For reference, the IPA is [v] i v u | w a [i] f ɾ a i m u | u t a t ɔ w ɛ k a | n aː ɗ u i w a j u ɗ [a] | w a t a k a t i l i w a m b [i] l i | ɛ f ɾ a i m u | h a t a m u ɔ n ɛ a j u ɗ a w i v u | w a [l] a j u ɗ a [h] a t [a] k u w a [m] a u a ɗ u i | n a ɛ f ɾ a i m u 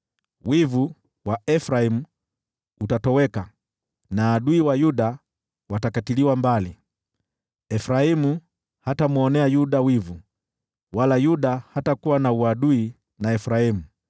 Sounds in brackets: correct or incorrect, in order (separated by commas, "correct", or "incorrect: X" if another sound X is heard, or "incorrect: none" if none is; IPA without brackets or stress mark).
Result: incorrect: w, incorrect: ɛ, correct, incorrect: a, correct, correct, correct, incorrect: n